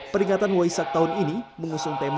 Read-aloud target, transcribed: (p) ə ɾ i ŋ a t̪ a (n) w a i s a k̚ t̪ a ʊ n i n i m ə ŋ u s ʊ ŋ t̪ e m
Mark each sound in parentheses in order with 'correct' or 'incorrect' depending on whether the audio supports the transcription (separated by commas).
correct, correct